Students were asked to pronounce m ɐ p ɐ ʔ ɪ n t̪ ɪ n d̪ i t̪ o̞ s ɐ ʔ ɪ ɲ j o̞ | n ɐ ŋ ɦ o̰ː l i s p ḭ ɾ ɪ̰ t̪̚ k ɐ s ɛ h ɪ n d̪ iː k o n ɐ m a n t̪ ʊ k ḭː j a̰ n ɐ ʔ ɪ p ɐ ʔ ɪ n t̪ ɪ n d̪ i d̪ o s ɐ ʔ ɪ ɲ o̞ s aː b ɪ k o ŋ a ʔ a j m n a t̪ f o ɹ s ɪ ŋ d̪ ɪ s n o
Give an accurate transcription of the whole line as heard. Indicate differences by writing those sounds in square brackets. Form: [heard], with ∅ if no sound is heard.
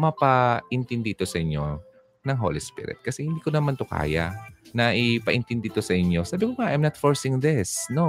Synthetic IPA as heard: m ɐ p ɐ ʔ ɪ n t̪ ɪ n d̪ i t̪ o̞ s ɐ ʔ ɪ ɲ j o̞ | n ɐ ŋ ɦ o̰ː l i s p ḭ ɾ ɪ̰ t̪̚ k ɐ s ɛ h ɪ n d̪ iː k o n ɐ m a n t̪ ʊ k [a̰ː] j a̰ n ɐ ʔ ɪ p ɐ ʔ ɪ n t̪ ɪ n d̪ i [t̪] o s ɐ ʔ ɪ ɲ o̞ s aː b ɪ k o ŋ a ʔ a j m n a t̪ f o ɹ s ɪ ŋ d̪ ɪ s n o